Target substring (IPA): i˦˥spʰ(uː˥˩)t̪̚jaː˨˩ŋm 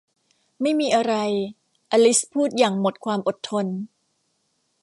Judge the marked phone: correct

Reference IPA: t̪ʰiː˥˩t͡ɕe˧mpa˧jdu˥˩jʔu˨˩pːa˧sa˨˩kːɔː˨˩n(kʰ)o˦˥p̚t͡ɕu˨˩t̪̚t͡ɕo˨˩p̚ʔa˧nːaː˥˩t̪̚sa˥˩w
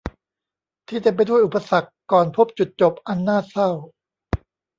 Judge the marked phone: incorrect: pʰ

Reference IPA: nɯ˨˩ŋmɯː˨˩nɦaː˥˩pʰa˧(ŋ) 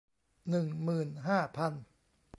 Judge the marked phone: incorrect: n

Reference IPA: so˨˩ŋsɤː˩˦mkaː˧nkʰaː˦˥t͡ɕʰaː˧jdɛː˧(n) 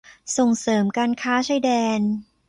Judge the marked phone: correct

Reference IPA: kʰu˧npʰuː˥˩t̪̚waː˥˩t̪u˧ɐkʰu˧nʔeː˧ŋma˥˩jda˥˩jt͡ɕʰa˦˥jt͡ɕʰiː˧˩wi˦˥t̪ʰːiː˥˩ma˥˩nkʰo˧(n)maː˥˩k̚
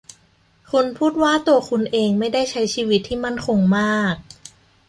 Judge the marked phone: incorrect: ŋ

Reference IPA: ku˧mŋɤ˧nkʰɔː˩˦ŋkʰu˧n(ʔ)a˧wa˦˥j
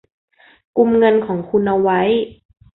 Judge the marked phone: correct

